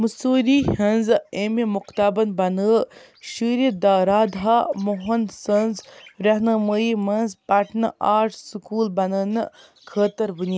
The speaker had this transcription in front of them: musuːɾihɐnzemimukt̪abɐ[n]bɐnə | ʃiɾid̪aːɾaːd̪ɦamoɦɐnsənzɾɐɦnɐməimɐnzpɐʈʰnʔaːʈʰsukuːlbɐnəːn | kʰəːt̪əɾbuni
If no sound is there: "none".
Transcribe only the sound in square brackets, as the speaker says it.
n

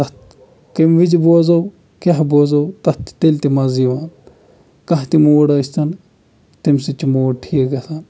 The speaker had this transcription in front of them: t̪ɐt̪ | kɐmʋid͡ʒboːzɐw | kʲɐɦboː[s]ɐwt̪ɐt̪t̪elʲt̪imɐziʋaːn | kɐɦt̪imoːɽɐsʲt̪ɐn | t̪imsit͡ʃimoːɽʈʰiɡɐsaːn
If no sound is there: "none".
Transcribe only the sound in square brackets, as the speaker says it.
z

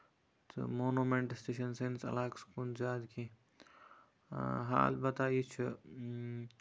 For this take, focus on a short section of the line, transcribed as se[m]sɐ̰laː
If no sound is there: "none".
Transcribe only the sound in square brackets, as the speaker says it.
n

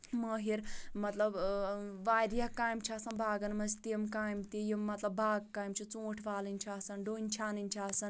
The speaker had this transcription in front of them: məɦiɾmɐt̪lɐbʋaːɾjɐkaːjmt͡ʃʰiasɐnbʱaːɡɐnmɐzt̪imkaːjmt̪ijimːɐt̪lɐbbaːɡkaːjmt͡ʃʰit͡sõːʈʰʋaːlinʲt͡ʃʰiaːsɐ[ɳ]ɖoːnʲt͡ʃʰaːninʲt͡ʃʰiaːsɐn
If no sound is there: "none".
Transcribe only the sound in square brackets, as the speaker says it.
n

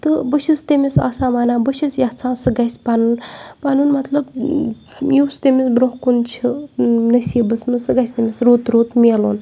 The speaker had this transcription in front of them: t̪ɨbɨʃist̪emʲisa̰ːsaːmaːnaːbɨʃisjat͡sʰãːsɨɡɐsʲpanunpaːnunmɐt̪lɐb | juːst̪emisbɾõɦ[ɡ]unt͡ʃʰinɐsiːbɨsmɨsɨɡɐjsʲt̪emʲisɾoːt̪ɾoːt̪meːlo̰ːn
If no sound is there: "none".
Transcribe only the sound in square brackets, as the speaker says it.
k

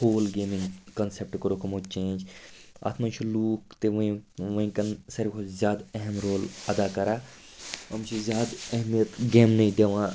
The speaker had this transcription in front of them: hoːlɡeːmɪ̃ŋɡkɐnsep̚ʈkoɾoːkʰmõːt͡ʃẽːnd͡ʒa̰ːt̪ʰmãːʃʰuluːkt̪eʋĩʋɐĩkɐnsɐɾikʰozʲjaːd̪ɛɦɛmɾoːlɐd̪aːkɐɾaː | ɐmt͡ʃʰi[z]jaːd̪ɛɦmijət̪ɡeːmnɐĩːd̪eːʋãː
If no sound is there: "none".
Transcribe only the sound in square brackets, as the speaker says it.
z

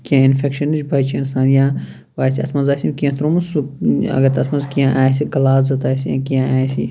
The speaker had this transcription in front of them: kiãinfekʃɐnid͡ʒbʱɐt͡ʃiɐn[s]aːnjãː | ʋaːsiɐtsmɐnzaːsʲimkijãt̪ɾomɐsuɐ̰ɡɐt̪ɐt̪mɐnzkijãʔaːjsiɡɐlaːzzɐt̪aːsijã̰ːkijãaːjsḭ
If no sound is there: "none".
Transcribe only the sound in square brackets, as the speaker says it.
s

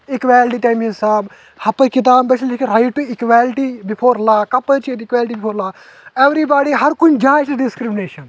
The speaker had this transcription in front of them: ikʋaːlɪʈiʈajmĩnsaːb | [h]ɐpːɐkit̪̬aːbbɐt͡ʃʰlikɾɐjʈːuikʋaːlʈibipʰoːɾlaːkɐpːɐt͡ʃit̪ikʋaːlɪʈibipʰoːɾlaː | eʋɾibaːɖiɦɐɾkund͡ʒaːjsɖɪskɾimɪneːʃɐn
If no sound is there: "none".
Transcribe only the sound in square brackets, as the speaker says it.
h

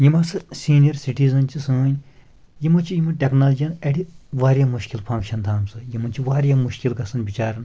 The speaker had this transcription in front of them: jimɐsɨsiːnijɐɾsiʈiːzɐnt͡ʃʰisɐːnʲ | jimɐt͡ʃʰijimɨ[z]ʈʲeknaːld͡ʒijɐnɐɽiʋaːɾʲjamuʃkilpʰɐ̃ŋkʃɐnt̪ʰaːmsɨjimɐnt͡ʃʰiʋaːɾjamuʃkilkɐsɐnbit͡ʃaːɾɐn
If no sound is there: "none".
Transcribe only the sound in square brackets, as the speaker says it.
none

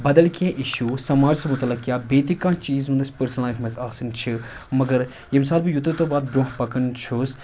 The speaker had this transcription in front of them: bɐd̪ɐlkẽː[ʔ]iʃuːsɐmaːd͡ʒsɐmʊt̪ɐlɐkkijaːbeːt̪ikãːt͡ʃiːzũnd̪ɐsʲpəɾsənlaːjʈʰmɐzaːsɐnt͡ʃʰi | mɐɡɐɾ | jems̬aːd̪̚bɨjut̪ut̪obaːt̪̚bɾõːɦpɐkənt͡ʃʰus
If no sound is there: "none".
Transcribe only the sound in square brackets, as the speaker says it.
ʔ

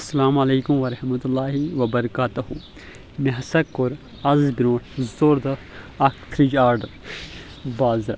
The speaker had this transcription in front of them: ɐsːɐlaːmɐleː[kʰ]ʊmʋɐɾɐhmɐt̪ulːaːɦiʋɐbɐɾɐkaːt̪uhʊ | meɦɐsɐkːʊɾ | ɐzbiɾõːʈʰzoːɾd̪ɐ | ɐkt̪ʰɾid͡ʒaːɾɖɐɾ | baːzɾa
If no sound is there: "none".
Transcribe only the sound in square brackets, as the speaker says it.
k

